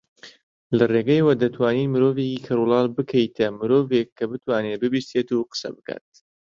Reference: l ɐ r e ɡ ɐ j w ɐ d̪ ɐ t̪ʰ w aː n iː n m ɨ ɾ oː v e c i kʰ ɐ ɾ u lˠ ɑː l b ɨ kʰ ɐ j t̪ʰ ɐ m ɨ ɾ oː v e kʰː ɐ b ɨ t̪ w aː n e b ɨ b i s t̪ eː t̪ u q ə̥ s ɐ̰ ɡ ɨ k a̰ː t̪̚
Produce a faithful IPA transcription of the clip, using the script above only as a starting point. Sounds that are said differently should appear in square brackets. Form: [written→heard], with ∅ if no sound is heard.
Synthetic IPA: l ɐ r e ɡ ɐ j w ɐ d̪ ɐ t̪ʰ w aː n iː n m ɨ ɾ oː v e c i kʰ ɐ ɾ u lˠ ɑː l b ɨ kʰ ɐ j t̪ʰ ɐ m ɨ ɾ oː v e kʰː ɐ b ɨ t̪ w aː n e b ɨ b i s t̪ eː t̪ u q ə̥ s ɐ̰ [ɡ→b] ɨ k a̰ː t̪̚